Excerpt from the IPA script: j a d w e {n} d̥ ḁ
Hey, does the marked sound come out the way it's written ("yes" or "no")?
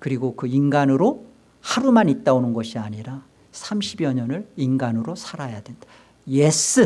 yes